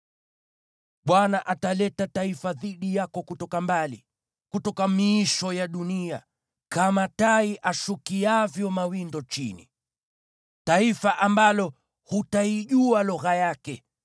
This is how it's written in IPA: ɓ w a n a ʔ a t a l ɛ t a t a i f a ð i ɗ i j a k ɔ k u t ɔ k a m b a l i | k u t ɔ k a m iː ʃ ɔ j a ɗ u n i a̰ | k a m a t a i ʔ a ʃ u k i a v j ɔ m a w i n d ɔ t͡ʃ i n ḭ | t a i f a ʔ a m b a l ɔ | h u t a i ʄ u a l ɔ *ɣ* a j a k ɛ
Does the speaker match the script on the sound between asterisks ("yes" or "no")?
yes